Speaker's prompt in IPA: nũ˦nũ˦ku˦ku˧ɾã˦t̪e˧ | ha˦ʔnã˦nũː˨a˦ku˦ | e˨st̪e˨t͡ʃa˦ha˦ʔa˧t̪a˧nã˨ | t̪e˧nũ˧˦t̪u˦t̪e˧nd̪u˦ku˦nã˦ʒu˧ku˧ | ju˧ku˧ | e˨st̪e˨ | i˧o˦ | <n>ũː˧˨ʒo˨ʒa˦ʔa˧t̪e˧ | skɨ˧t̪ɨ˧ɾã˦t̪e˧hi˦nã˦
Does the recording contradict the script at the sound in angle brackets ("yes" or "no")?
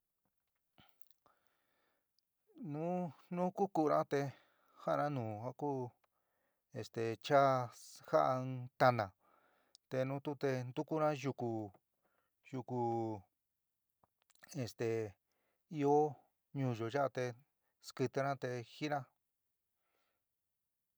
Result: yes